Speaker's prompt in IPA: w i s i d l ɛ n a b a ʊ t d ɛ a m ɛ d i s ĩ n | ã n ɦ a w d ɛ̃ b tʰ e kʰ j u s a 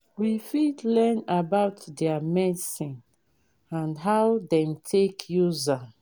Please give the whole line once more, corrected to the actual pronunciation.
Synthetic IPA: w i f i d l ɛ n a b a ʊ t d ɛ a m ɛ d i s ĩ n | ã n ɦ a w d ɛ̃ m tʰ e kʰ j u z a